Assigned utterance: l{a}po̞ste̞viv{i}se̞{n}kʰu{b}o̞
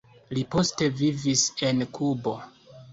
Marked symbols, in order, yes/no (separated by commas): no, yes, yes, yes